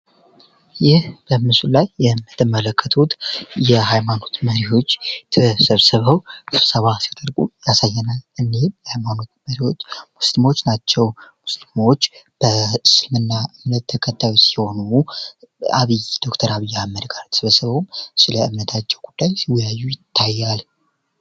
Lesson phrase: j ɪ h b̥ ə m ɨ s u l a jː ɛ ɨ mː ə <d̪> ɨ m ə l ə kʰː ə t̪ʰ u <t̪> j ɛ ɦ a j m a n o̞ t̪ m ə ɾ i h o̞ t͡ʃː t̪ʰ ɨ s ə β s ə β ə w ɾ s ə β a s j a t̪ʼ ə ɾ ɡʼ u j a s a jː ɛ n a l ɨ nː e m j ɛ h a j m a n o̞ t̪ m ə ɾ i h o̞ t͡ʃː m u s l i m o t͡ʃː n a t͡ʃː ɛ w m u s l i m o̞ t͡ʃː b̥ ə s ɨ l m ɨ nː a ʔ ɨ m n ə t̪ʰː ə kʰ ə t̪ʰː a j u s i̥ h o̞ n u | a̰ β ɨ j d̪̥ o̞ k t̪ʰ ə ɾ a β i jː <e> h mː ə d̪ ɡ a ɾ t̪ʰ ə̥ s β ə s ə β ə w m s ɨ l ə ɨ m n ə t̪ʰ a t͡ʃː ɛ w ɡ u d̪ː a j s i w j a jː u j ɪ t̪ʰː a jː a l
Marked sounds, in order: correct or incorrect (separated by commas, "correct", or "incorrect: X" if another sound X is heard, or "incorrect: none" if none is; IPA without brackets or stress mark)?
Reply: incorrect: t̪, correct, incorrect: a